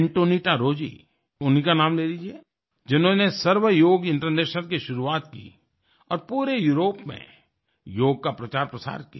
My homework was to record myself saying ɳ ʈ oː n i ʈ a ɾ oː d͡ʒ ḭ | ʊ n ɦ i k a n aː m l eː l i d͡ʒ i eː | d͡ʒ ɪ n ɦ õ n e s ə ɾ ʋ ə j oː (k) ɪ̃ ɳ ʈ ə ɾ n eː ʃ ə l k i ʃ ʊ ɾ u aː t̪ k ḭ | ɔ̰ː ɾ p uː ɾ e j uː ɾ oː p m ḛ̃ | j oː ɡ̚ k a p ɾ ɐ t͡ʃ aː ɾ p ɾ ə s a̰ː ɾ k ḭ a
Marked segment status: incorrect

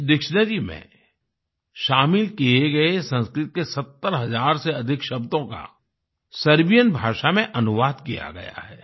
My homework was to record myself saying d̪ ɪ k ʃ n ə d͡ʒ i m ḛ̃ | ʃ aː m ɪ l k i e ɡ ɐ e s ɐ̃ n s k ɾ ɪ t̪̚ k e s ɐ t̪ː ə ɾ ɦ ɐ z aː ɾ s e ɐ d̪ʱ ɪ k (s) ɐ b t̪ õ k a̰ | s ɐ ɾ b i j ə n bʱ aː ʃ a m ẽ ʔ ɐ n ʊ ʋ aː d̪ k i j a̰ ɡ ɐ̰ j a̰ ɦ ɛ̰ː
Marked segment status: incorrect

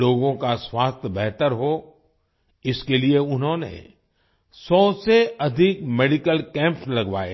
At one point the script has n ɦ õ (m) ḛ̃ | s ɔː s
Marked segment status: incorrect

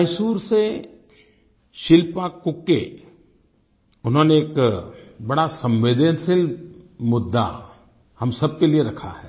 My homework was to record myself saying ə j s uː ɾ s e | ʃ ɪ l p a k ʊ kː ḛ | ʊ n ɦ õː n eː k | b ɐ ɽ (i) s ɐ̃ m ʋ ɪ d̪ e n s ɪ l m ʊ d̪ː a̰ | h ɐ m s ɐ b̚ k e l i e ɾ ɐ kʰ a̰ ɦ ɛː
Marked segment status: incorrect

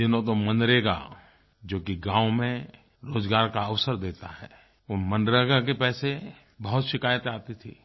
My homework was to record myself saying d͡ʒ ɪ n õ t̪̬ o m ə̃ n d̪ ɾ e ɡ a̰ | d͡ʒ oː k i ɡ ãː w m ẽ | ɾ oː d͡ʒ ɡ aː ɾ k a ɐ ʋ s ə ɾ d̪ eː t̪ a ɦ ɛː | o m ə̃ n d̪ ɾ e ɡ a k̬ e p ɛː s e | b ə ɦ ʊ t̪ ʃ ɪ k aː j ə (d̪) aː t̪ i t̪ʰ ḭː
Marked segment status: incorrect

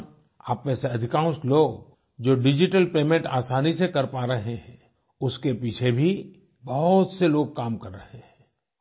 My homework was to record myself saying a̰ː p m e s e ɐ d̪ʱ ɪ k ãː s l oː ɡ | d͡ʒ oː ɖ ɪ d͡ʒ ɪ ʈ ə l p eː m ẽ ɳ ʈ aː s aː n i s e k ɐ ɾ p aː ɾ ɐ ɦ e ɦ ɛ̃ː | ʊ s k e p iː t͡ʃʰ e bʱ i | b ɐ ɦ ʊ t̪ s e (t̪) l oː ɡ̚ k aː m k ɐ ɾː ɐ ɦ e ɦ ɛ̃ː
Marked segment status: incorrect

